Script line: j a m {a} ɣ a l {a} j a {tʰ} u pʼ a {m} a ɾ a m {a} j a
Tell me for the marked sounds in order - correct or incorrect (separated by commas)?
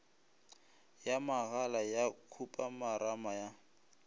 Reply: correct, correct, incorrect, correct, correct